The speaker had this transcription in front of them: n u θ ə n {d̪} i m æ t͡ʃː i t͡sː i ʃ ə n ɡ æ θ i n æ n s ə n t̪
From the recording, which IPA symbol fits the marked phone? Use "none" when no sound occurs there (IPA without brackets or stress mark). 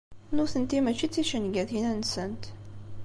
t̪